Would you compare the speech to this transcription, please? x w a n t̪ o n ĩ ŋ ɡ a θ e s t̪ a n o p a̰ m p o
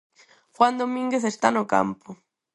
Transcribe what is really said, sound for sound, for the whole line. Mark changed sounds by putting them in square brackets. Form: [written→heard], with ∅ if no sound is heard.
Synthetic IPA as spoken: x w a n [t̪→d̪] o [n→m] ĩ ŋ ɡ [a→e] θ e s t̪ a n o [p→k] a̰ m p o